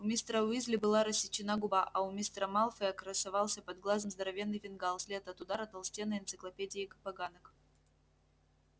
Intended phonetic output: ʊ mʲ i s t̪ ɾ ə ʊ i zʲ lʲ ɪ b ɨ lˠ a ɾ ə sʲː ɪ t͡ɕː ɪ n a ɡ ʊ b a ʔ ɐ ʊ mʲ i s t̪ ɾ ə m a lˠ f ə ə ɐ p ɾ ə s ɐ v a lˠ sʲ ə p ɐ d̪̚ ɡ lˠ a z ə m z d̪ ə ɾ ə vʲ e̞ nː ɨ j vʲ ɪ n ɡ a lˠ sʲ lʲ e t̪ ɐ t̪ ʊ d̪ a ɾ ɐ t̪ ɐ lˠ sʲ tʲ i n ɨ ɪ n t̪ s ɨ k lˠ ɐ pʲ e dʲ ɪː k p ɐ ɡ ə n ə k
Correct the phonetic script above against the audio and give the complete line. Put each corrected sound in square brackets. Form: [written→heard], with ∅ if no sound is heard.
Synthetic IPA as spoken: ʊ mʲ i s t̪ ɾ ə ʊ i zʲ lʲ ɪ b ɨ lˠ a ɾ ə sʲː ɪ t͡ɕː ɪ n a ɡ ʊ b a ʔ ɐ ʊ mʲ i s t̪ ɾ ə m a lˠ f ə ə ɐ [p→k] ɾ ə s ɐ v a lˠ sʲ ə p ɐ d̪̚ ɡ lˠ a z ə m z d̪ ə ɾ [ə→ɐ] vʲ e̞ nː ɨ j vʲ ɪ n ɡ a lˠ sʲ lʲ e t̪ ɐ t̪ ʊ d̪ a ɾ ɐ t̪ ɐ lˠ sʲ tʲ [i→e] n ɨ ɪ n t̪ s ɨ k lˠ ɐ pʲ e dʲ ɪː k p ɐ ɡ [ə→a] n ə k